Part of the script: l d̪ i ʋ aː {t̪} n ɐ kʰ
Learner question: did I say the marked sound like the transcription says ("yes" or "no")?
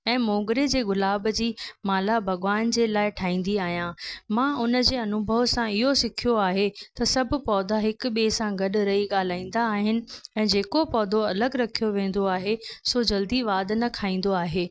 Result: no